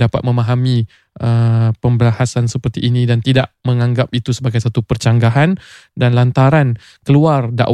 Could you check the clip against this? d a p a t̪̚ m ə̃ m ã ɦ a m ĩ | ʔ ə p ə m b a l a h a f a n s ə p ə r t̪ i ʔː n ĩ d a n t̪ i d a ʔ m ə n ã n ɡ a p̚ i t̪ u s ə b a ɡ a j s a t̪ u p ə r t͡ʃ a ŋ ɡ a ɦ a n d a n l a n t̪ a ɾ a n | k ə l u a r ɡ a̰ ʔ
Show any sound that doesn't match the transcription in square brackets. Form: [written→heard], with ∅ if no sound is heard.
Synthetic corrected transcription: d a p a t̪̚ m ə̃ m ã ɦ a m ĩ | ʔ ə p ə m b [a→ə] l a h a [f→s] a n s ə p ə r t̪ i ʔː n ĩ d a n t̪ i d a ʔ m ə [n→ŋ] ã [n→ŋ] ɡ a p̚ i t̪ u s ə b a ɡ a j s a t̪ u p ə r t͡ʃ a ŋ ɡ a ɦ a n d a n l a n t̪ a ɾ a n | k ə l u a r [ɡ→d] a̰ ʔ